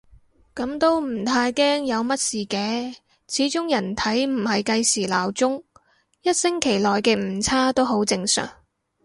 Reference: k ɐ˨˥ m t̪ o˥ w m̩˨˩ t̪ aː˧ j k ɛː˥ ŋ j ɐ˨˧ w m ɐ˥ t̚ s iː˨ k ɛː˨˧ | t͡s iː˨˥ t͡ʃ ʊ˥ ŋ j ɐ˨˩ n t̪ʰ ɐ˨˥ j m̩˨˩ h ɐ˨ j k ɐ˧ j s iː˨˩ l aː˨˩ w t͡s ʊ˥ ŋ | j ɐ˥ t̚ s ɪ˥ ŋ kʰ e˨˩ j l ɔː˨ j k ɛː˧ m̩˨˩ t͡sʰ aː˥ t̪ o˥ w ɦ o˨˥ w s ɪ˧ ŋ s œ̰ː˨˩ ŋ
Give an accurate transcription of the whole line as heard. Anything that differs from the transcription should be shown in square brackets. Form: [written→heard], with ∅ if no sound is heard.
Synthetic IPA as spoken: k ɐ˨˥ m t̪ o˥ w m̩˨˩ [t̪→t̪ʰ] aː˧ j k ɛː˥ ŋ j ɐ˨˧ w m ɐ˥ t̚ s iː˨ k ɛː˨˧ | [t͡s→t͡sʰ] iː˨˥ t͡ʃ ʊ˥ ŋ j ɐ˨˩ n t̪ʰ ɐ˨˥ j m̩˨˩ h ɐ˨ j k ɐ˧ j s iː˨˩ l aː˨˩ w t͡s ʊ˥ ŋ | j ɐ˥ t̚ s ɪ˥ ŋ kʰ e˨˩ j l ɔː˨ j k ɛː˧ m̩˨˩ t͡sʰ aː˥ t̪ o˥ w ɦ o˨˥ w [s→t͡s] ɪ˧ ŋ s œ̰ː˨˩ ŋ